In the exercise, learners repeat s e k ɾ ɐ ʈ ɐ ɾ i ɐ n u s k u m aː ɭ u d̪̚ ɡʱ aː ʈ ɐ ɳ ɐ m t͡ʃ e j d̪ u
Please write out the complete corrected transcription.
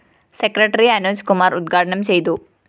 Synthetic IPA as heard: s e k ɾ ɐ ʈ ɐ ɾ i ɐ n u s k u m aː ɾ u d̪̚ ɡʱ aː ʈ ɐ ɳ ɐ m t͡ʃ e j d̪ u